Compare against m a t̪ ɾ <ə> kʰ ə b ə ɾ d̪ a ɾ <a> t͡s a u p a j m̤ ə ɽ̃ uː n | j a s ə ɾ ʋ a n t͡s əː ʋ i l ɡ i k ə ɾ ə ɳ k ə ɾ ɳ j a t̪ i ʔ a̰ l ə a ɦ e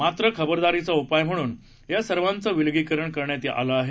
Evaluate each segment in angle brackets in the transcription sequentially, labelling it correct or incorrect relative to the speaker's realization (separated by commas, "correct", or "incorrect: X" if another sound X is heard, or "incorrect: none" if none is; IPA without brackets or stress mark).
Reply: correct, incorrect: i